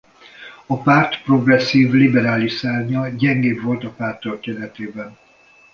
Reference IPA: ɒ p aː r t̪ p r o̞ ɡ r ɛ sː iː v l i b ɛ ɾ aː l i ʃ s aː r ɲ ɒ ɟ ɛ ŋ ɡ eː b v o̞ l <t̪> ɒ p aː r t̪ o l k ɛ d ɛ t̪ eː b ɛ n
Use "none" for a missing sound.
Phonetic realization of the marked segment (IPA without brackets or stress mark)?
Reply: t̪